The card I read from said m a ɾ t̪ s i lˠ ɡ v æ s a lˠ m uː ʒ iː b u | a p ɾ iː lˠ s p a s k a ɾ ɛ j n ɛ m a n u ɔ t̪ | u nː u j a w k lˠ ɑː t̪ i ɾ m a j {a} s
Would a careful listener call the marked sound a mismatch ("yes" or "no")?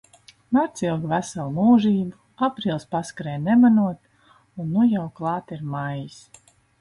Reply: yes